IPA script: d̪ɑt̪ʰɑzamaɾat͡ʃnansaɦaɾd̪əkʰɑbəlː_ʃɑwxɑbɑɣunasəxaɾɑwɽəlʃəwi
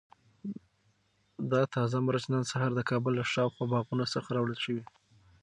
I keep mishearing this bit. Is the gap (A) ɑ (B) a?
B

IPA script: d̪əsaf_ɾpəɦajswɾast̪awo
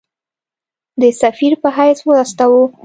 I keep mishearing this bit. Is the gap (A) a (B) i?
B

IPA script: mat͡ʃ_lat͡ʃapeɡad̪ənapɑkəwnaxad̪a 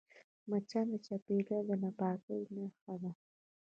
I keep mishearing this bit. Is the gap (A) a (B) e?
A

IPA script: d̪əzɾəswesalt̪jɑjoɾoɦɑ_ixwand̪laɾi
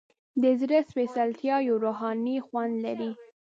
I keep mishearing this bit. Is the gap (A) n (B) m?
A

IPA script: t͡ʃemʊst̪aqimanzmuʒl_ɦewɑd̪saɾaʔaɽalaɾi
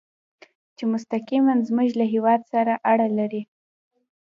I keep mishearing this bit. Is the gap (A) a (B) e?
A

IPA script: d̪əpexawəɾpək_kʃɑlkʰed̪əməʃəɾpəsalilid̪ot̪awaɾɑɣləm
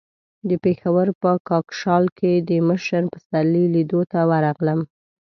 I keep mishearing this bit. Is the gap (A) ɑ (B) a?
A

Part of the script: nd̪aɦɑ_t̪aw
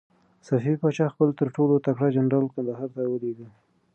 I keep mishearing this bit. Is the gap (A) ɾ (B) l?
A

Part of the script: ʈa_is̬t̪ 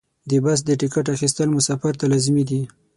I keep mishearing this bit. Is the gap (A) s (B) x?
B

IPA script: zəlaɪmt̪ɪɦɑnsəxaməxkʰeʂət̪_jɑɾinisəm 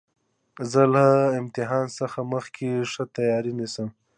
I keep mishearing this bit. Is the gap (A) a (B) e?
A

